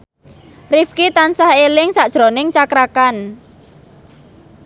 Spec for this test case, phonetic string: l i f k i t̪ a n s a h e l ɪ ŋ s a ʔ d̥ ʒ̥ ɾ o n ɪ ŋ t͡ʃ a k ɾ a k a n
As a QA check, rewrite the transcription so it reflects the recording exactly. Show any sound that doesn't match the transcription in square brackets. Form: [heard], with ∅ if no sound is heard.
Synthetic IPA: [r] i f k i t̪ a n s a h e l ɪ ŋ s a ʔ d̥ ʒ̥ ɾ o n ɪ ŋ t͡ʃ a k ɾ a k a n